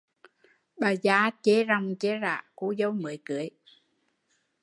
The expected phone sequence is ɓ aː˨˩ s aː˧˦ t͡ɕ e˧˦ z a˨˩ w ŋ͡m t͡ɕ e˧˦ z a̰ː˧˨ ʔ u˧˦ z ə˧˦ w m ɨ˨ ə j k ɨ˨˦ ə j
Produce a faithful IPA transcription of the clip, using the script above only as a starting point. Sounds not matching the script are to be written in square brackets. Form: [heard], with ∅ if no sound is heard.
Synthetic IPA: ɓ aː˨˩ [z] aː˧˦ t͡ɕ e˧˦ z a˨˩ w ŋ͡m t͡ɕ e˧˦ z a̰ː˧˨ [k] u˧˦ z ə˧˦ w m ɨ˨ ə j k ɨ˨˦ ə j